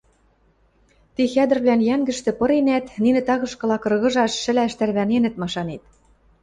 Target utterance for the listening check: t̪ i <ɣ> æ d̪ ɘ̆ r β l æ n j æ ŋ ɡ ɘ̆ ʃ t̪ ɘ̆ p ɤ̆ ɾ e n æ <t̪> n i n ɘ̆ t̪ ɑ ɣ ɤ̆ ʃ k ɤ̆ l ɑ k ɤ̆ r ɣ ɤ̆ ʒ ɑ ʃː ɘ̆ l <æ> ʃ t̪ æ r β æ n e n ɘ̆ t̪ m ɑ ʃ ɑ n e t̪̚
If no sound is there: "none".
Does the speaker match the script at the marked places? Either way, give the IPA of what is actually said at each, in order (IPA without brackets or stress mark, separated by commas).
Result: x, t̪, æ